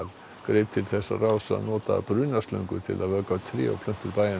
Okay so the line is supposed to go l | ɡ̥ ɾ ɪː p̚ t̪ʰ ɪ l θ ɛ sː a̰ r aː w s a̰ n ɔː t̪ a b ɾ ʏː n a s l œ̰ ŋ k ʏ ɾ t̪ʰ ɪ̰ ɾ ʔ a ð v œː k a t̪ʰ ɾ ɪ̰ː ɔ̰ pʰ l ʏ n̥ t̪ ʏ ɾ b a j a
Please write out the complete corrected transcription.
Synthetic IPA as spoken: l | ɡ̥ ɾ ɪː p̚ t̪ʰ ɪ l θ ɛ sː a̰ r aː w s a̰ n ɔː t̪ a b ɾ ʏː n a s l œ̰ ŋ k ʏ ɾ t̪ʰ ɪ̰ l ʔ a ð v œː k a t̪ʰ ɾ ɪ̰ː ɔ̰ pʰ l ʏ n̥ t̪ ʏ ɾ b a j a